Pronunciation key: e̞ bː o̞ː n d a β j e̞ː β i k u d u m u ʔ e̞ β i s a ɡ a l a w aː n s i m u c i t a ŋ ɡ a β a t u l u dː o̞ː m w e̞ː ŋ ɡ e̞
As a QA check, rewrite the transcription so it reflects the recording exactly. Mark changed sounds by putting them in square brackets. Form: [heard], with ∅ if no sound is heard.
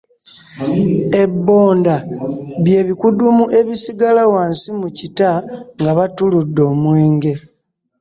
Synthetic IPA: e̞ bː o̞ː n d a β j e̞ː β i k u d u m u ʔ e̞ β i s [i] ɡ a l a w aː n s i m u c i t a ŋ ɡ a β a t u l u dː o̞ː m w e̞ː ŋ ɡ e̞